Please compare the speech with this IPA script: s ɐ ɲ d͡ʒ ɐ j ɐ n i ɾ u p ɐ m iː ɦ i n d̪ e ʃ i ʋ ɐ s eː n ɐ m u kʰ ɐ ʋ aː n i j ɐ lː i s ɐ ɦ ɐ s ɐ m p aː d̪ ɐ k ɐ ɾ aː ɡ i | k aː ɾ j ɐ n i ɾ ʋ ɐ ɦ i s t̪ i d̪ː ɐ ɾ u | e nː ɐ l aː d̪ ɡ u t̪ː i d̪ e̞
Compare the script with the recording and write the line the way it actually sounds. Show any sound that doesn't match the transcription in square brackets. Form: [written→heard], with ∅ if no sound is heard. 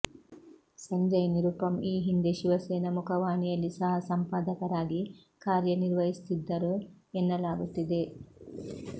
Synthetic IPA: s ɐ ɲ d͡ʒ ɐ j ɐ n i ɾ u p ɐ m iː ɦ i n d̪ e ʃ i ʋ ɐ s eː n ɐ m u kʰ ɐ ʋ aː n i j ɐ lː i s ɐ ɦ ɐ s ɐ m p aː d̪ ɐ k ɐ ɾ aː ɡ i | k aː ɾ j ɐ n i ɾ ʋ ɐ ɦ i s t̪ i d̪ː ɐ ɾ u | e nː ɐ l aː [d̪→∅] ɡ u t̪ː i d̪ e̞